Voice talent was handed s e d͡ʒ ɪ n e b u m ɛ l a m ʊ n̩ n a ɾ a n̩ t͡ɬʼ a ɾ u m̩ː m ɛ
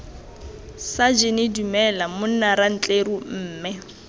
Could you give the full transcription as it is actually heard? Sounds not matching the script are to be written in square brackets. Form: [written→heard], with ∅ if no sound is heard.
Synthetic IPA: s [e→a] d͡ʒ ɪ n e [b→d] u m ɛ l a m ʊ n̩ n a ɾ a n̩ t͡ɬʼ [a→e] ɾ u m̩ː m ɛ